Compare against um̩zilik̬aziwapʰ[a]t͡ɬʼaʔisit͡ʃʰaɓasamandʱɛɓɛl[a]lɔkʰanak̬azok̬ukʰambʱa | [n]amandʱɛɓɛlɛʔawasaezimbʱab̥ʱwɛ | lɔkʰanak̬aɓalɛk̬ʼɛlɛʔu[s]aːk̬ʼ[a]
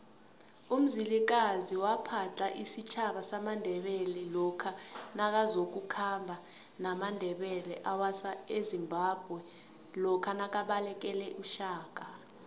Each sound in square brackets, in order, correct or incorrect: correct, incorrect: ɛ, correct, incorrect: ʃ, correct

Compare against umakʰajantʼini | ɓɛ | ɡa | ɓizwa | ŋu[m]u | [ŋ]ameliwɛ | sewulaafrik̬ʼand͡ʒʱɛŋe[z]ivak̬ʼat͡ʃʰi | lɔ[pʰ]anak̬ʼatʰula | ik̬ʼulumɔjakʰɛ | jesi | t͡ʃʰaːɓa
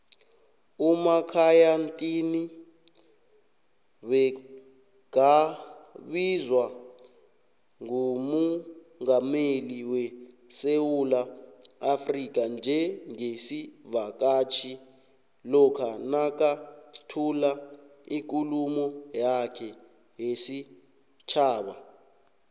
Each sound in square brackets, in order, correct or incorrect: correct, correct, incorrect: s, incorrect: kʰ

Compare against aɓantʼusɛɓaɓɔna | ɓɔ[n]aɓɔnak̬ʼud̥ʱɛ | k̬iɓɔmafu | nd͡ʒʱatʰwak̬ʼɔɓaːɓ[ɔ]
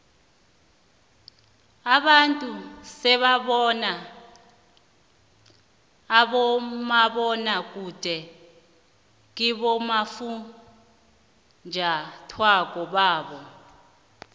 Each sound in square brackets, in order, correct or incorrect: incorrect: m, correct

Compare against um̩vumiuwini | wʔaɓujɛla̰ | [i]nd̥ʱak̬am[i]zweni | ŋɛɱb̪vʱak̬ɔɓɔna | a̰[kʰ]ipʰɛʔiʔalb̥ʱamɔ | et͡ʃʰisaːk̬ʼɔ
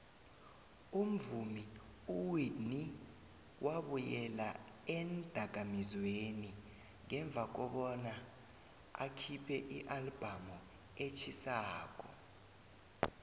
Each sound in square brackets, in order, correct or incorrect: incorrect: ɛ, correct, correct

